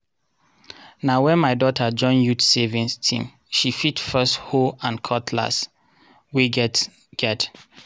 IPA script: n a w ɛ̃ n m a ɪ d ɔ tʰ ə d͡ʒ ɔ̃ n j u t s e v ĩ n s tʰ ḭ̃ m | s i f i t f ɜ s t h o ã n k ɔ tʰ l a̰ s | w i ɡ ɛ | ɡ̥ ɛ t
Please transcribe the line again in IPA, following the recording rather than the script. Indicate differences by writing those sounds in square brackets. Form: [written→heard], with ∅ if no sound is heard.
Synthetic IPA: n a w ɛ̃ n m a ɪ d ɔ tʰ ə d͡ʒ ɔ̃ n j u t s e v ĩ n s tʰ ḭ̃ m | [s→ʃ] i f i t f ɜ s t h o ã n [k→kʰ] ɔ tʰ l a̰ s | w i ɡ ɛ | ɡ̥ ɛ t